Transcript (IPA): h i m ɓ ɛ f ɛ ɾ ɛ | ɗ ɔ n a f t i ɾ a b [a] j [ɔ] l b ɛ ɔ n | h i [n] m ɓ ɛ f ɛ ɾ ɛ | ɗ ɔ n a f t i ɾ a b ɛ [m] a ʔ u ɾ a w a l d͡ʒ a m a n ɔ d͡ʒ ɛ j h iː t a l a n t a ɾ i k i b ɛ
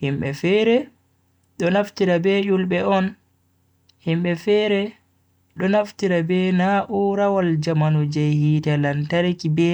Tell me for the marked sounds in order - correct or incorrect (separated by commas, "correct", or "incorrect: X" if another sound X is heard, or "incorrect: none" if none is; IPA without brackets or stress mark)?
incorrect: ɛ, incorrect: u, incorrect: none, incorrect: n